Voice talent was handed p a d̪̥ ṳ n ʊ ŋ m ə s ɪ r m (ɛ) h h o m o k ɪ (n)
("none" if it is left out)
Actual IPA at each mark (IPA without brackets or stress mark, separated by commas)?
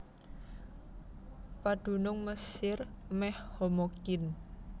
ɛ, n